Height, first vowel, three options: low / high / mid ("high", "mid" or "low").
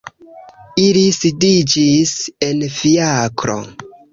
high